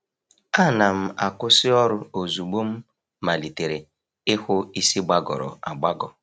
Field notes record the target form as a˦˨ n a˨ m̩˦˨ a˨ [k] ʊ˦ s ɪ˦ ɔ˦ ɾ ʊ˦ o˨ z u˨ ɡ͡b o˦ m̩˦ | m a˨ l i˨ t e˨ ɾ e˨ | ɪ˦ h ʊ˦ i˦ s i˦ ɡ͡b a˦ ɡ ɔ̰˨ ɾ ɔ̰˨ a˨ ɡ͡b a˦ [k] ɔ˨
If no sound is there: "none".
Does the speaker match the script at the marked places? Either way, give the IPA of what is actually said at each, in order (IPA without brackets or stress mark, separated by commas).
k, ɡ